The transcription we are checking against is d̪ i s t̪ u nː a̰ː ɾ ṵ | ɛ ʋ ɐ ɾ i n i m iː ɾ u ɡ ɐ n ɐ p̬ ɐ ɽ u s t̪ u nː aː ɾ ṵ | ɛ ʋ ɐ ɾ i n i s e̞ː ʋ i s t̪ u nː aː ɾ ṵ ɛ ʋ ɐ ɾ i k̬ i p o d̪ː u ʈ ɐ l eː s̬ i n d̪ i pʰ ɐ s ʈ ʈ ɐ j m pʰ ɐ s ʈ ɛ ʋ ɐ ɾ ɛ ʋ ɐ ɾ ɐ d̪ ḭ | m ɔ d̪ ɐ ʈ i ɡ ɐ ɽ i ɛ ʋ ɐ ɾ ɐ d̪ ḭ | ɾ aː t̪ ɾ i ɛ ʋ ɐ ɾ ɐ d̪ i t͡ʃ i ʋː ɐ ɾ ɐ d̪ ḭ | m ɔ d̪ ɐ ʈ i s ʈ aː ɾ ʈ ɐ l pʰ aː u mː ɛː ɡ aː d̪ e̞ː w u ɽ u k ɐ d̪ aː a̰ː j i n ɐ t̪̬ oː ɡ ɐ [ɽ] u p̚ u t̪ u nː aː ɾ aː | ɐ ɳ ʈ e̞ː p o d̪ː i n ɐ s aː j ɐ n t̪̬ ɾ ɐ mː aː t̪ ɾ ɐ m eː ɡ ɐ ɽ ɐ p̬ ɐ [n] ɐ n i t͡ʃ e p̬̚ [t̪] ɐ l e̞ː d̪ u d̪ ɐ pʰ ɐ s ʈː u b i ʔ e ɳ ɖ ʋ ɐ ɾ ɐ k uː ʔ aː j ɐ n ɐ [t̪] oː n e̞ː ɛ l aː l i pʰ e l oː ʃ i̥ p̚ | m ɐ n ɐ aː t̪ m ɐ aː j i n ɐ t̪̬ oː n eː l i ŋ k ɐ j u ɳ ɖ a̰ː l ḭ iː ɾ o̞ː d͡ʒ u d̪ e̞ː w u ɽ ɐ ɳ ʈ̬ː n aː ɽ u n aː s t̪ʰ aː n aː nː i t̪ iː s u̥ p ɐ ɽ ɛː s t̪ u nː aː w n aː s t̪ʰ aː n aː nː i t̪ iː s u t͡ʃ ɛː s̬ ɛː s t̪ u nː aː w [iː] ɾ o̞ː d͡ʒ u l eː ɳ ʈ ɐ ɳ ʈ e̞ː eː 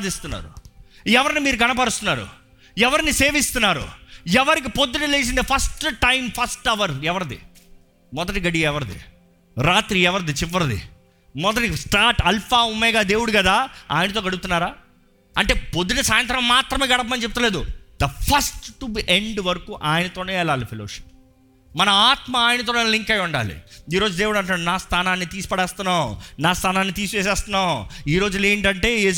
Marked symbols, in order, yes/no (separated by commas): yes, no, yes, yes, yes